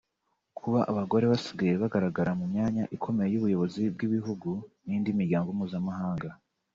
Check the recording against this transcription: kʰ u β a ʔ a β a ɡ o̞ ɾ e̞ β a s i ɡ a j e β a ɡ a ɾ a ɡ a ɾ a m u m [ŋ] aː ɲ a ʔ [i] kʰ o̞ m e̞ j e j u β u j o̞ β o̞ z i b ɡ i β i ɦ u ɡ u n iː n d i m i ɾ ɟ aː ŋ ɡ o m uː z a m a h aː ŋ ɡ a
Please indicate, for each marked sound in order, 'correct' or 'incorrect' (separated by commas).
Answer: incorrect, correct